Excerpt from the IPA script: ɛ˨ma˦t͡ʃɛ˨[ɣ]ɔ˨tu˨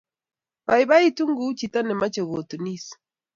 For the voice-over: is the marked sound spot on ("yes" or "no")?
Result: yes